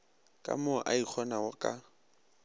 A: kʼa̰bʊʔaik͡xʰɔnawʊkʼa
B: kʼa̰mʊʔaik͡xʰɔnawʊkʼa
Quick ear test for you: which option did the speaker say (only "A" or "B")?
B